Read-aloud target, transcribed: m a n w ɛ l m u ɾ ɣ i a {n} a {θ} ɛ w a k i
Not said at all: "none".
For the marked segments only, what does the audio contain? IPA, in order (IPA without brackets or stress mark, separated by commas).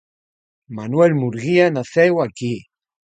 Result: n, θ